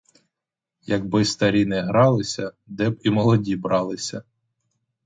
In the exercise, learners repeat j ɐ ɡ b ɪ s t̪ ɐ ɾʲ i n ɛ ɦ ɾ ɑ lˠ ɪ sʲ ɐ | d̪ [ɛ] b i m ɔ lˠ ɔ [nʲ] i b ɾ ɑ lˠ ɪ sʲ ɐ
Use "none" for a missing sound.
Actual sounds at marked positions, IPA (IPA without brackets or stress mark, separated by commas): ɛ, dʲ